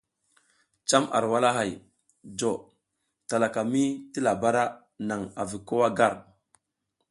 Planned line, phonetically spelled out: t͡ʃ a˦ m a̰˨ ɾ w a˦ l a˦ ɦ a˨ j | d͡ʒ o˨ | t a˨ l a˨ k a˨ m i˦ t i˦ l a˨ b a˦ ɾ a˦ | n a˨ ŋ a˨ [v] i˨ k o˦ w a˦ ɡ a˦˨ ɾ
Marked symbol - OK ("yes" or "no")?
yes